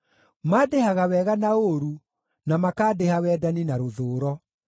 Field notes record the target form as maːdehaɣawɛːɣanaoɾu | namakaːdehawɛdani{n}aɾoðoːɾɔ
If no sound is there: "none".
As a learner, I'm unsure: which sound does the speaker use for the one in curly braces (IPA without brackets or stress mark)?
n